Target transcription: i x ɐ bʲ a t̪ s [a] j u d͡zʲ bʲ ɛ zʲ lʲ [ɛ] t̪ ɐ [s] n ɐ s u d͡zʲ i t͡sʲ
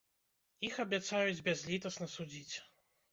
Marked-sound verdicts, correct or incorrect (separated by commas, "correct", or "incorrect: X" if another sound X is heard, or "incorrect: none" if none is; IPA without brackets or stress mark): correct, incorrect: i, correct